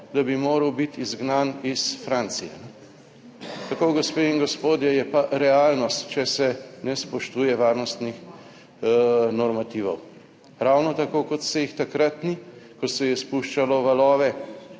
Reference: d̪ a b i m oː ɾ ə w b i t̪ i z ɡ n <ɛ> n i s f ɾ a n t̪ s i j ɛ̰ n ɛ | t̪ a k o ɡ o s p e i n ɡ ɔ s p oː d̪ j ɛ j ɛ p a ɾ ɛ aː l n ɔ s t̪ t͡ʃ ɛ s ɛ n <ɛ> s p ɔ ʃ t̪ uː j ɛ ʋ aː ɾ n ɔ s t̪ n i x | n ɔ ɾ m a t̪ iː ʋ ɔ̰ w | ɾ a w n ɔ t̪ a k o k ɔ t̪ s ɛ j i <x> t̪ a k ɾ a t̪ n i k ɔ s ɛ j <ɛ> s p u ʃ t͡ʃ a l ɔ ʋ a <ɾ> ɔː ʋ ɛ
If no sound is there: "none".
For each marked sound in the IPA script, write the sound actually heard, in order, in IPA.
a, ɛ, x, ɛ, l

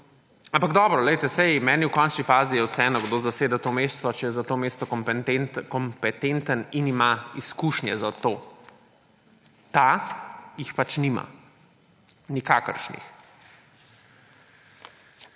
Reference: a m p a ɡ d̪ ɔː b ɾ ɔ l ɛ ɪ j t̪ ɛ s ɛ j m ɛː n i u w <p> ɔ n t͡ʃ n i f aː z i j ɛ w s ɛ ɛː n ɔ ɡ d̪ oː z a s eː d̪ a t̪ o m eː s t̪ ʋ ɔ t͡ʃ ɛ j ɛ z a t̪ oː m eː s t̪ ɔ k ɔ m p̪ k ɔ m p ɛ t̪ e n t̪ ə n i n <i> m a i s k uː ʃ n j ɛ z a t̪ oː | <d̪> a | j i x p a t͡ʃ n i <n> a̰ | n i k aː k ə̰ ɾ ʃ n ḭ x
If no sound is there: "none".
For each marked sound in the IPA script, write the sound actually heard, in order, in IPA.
k, i, t̪, m

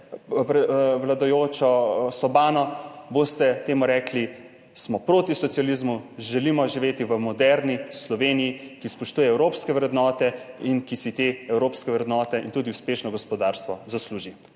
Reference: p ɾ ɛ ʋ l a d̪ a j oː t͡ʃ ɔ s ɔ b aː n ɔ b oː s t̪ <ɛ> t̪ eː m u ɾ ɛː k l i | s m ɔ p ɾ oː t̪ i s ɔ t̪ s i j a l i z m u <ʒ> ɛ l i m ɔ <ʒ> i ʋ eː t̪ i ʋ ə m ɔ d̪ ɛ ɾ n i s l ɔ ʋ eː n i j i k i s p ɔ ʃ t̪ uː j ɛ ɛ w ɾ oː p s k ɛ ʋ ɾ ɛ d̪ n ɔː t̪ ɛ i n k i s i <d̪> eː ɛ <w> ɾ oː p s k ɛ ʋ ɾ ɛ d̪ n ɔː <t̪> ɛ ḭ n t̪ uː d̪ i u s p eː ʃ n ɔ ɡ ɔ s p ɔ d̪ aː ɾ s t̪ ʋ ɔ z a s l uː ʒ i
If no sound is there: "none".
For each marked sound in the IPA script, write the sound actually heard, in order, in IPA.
ɛ, ʒ, ʒ, t̪, w, t̪

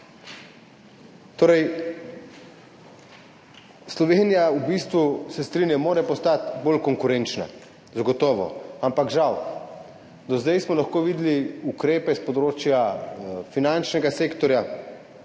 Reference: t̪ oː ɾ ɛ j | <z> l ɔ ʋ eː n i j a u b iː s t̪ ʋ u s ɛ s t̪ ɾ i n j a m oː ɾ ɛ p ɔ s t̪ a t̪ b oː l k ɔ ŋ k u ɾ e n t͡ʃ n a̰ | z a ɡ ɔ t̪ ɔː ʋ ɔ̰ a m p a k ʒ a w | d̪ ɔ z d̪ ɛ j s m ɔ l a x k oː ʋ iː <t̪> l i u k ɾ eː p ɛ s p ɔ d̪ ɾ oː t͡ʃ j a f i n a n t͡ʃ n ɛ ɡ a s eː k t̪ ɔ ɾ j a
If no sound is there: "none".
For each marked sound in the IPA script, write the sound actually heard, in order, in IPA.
s, d̪

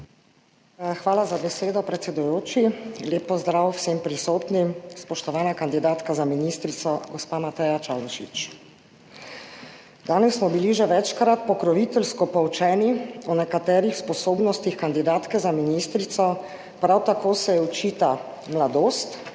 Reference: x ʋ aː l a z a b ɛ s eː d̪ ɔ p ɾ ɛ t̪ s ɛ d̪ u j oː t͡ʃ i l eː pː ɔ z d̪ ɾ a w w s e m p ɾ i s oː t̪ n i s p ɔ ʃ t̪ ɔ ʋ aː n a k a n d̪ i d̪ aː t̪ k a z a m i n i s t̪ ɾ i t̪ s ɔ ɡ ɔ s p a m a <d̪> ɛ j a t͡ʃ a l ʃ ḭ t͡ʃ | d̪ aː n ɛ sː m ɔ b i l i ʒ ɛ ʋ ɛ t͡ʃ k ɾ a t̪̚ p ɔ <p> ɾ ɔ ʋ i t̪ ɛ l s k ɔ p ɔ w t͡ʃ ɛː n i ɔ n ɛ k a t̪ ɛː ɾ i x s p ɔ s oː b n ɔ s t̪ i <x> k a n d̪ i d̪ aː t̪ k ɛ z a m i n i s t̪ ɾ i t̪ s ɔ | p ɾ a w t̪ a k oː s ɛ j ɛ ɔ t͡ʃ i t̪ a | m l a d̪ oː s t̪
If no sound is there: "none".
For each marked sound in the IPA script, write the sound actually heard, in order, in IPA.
t̪, k, x

